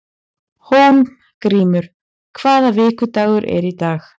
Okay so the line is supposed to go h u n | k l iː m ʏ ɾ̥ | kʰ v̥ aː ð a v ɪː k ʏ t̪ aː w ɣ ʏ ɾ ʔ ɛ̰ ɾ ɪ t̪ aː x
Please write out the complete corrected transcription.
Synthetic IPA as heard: h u n | k ɾ iː m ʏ ɾ̥ | kʰ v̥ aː ð a v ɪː k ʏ t̪ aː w ɣ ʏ ɾ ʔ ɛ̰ ɾ i t̪ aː x